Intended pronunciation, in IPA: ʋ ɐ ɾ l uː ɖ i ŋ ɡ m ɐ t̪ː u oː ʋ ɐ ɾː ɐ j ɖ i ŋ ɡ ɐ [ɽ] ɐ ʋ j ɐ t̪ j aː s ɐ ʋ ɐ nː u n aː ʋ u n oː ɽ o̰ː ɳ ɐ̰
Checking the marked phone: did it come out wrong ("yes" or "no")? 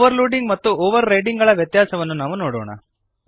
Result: yes